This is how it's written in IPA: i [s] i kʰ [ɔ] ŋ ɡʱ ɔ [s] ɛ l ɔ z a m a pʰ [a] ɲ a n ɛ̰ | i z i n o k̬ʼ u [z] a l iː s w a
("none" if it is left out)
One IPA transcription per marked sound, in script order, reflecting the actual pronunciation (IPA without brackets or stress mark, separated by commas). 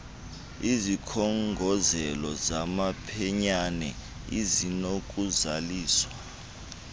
z, ɔ, z, ɛ, z